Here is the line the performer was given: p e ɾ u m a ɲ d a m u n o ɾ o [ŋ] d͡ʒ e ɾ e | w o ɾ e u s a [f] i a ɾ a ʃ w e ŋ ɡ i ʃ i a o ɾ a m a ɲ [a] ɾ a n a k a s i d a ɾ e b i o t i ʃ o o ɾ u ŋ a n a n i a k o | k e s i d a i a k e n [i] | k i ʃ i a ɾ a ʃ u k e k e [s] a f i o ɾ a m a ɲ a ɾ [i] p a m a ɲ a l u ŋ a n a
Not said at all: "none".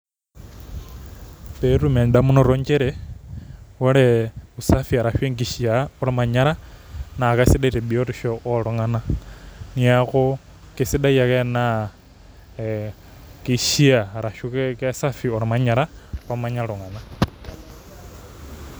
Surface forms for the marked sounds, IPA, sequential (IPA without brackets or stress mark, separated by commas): ɲ, f, a, a, s, a